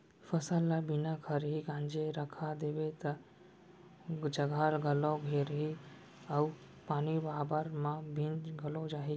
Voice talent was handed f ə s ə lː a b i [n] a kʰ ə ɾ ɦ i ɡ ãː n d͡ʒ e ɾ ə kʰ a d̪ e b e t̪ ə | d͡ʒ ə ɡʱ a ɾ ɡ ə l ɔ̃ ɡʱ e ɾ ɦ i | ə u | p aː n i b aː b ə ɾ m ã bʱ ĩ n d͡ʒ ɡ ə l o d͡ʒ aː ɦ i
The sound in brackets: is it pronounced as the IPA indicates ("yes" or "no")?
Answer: yes